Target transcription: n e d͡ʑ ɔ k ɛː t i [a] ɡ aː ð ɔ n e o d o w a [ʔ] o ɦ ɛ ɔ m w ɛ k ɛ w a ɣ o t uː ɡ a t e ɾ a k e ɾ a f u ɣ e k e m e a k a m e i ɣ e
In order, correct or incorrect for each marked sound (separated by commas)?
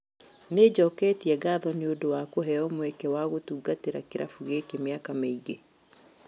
incorrect, incorrect